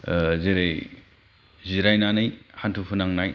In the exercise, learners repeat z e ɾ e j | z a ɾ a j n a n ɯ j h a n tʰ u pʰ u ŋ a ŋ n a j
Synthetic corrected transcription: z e ɾ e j | z i ɾ a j n a n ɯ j h a n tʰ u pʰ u n a ŋ n a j